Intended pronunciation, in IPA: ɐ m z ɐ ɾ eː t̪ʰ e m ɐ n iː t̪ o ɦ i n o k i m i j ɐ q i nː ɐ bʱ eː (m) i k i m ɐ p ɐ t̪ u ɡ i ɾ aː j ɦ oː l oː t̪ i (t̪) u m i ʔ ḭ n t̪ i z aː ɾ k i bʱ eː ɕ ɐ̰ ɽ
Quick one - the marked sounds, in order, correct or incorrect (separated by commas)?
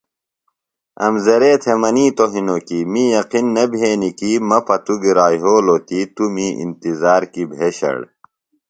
incorrect, correct